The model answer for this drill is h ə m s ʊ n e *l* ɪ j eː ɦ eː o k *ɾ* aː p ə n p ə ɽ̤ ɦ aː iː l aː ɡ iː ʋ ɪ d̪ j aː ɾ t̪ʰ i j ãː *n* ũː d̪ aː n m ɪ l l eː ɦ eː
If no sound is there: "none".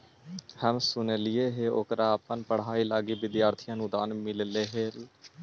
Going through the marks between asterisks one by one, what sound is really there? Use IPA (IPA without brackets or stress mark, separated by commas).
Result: l, ɾ, n